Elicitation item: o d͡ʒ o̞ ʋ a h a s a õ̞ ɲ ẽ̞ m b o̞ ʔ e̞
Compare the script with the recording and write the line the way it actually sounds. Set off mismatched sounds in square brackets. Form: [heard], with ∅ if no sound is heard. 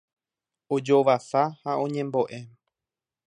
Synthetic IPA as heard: o d͡ʒ o̞ ʋ a [s] a [h] a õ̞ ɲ ẽ̞ m b o̞ ʔ e̞